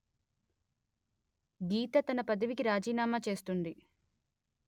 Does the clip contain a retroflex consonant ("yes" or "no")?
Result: no